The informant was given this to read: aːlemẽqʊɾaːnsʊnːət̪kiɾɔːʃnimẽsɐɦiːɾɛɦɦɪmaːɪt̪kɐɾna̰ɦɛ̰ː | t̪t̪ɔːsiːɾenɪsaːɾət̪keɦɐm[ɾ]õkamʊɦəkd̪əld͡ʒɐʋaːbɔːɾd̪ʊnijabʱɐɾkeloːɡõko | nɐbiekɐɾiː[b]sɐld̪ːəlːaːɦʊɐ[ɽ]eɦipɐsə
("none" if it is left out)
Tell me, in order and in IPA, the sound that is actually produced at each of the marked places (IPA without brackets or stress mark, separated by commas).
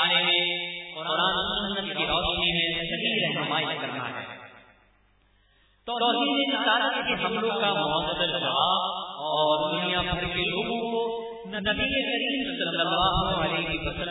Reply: l, m, l